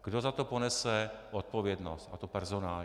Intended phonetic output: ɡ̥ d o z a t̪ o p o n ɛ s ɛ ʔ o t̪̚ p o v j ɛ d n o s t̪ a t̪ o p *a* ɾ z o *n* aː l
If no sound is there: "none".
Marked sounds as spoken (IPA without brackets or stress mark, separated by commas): ɛ, n